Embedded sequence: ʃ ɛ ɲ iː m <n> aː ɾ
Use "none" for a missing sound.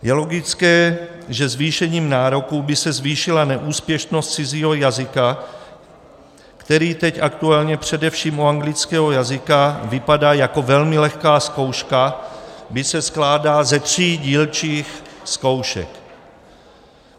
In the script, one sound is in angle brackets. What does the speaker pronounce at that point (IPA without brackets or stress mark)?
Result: n